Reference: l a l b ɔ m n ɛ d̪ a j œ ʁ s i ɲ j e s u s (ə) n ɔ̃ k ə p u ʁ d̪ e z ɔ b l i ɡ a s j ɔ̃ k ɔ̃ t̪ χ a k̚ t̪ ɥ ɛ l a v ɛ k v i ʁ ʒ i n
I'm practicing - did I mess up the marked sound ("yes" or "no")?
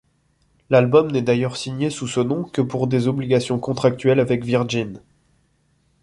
no